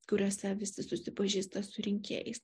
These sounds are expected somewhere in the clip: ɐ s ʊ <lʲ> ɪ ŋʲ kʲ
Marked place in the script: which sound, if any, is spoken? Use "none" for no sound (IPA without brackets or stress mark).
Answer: ɾʲ